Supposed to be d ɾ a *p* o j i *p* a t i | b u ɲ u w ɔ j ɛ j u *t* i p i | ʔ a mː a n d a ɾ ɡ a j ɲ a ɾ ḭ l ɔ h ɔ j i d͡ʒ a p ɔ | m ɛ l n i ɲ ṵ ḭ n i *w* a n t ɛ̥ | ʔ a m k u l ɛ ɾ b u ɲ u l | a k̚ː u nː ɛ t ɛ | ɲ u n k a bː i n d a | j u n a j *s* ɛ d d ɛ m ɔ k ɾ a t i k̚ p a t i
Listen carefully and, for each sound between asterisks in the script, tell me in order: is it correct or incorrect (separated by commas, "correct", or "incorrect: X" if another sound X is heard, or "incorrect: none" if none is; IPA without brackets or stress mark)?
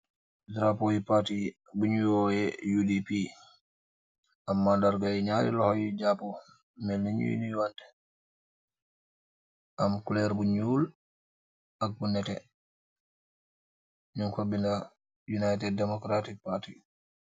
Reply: correct, correct, incorrect: d, correct, incorrect: t